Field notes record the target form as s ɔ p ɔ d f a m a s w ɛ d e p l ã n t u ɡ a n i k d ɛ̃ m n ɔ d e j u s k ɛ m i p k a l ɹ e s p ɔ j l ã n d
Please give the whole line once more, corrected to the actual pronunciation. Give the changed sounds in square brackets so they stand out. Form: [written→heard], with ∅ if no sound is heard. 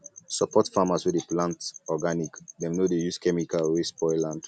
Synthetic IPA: s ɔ p ɔ [d→t] f a m a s w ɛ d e p l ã n t [u→ɔ] ɡ a n i k d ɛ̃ m n [ɔ→o] d e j u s k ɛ m i [p→∅] k a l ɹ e s p ɔ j l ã n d